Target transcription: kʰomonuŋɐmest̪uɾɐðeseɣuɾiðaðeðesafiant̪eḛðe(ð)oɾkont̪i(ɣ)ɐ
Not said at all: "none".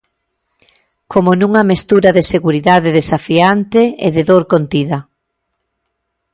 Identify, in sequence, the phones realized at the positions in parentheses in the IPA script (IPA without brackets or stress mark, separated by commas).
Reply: ð, ð